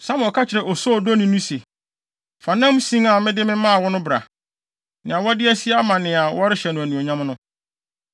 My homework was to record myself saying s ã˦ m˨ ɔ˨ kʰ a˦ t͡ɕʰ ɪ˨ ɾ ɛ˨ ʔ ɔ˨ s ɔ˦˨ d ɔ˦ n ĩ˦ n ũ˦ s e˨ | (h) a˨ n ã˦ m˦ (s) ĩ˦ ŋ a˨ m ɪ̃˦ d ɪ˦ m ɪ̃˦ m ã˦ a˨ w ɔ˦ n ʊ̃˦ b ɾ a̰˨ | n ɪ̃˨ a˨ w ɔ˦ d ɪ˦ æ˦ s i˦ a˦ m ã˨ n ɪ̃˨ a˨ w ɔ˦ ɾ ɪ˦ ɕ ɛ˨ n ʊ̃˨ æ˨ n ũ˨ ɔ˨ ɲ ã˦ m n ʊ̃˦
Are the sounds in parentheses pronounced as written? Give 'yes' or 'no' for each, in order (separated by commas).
no, yes